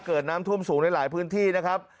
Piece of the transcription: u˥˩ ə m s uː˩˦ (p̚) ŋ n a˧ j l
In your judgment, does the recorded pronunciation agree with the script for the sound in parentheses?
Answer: no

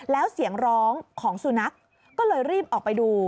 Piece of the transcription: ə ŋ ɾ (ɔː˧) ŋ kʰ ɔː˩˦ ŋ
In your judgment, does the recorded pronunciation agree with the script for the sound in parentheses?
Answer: no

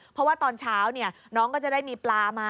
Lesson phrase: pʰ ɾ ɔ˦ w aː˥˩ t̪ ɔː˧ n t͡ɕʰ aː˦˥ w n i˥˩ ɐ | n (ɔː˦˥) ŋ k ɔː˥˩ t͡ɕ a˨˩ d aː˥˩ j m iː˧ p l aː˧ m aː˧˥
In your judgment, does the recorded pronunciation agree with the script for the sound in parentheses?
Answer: yes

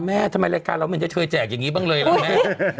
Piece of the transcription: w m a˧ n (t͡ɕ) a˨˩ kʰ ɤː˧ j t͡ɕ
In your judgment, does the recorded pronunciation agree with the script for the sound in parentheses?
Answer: yes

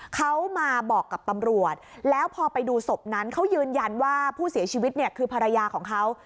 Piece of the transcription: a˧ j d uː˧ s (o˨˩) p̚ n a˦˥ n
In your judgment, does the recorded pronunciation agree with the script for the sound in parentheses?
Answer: yes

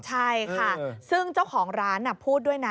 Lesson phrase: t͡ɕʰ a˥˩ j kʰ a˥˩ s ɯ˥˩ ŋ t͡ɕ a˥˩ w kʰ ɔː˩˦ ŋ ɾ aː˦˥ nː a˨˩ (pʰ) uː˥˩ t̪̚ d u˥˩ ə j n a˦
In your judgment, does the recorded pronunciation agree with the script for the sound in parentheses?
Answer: yes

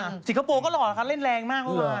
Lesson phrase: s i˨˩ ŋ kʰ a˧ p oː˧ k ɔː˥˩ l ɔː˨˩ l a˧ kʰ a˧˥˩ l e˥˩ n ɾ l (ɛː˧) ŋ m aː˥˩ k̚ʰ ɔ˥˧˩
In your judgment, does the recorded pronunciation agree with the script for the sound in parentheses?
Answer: yes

